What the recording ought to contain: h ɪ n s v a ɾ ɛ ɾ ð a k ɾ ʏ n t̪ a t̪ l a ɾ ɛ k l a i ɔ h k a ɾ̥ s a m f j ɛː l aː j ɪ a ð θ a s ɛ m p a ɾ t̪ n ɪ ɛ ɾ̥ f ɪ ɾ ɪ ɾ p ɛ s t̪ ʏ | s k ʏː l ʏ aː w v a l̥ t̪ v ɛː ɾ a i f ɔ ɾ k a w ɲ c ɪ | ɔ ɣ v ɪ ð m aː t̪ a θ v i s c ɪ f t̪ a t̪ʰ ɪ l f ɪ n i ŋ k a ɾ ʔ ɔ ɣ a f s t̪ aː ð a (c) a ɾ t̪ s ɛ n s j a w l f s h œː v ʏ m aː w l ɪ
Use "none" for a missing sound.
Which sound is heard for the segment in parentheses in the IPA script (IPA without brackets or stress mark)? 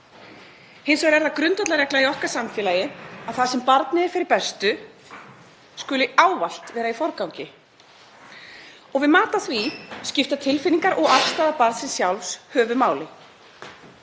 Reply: p